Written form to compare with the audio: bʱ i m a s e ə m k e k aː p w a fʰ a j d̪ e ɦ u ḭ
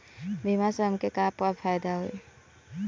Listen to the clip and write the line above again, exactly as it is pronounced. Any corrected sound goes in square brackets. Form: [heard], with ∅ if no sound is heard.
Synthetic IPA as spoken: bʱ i m a s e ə m k e k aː p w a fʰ a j d̪ [a] ɦ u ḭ

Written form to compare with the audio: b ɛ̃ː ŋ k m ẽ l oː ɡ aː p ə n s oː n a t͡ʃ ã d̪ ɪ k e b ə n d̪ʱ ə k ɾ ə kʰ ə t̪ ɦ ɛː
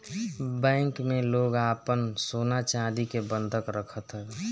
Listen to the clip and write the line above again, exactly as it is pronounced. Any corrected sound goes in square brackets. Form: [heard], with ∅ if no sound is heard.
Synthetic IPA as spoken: b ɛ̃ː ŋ k m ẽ l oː ɡ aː p ə n s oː n a t͡ʃ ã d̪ [i] k e b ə n d̪ʱ ə k ɾ ə kʰ ə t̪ ɦ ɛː

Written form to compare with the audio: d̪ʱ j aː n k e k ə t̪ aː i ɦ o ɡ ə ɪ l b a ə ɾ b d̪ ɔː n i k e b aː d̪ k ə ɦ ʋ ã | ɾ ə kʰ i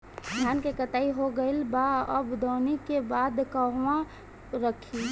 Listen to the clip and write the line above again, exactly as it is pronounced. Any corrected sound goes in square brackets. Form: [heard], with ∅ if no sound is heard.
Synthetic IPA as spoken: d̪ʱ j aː n k e k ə t̪ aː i ɦ o ɡ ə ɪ l b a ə [∅] b d̪ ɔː n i k e b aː d̪ k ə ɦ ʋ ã | ɾ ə kʰ i

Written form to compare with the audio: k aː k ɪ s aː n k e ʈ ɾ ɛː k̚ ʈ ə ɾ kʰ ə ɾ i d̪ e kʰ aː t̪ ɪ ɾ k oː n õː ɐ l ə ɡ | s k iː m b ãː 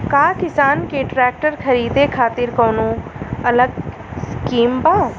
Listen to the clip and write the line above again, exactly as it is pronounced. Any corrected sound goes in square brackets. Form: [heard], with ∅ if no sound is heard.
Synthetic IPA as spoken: k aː k ɪ s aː n k e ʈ ɾ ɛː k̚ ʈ ə ɾ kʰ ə ɾ [iː] d̪ e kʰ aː t̪ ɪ ɾ k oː n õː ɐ l ə ɡ | s k iː m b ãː

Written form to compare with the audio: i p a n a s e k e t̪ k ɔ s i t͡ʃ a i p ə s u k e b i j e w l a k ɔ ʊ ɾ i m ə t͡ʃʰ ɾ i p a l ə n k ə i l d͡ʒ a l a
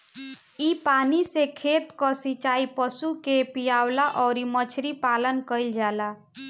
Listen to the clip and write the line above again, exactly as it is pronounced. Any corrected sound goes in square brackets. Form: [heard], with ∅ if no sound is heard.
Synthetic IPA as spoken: i p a n [i] s e [kʰ] e t̪ k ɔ s i t͡ʃ a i p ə s u k e [p] i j [a] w l a [ʔ] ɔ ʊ ɾ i m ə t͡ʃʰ ɾ i p a l ə n k ə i l d͡ʒ a l a

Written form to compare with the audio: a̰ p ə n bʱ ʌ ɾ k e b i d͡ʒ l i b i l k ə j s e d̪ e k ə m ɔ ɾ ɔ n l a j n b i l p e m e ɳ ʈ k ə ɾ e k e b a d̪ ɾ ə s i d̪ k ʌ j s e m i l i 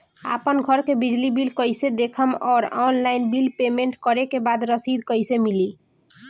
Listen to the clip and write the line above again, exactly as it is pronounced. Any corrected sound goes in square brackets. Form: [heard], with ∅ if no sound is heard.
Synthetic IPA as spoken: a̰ p ə n [ɡʱ] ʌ ɾ k e b i d͡ʒ l i b i l k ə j s e d̪ e [kʰ] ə m ɔ ɾ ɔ n l a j n b i l p e m e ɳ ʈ k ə ɾ e k e b a d̪ ɾ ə s i d̪ k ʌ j s e m i l i

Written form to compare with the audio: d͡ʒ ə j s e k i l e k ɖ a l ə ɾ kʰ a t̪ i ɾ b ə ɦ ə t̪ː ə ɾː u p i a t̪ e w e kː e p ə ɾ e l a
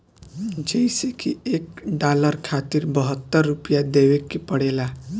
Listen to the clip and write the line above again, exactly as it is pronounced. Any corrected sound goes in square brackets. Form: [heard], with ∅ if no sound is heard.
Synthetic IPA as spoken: d͡ʒ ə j s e k i [∅] e k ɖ a l ə ɾ kʰ a t̪ i ɾ b ə ɦ ə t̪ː ə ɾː u p [j] a [d̪] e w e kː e p ə [ɽ] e l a

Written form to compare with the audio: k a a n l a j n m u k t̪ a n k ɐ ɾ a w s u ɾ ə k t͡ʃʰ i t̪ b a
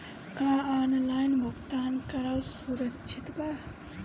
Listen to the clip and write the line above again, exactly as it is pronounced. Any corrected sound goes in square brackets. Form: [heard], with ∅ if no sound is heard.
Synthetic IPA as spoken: k a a n l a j n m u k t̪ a n k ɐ ɾ a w s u ɾ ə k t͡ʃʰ i t̪ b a

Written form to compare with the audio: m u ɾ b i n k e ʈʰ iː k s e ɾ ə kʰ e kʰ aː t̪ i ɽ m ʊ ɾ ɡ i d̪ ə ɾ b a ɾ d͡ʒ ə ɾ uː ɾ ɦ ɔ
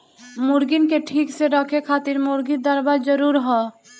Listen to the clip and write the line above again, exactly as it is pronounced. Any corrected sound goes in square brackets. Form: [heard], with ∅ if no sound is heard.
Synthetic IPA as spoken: m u ɾ [ɡ] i n k e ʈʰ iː k s e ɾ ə kʰ e kʰ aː t̪ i [ɾ] m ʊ ɾ ɡ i d̪ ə ɾ b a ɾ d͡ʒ ə ɾ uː ɾ ɦ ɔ

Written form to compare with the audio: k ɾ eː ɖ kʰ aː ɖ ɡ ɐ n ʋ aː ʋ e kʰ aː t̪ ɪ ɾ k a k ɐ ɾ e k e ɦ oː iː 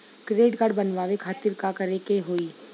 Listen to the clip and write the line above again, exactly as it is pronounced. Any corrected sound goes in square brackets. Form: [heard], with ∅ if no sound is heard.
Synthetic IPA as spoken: k ɾ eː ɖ [k] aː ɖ [b] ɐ n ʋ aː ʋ e kʰ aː t̪ ɪ ɾ k a k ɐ ɾ e k e ɦ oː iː

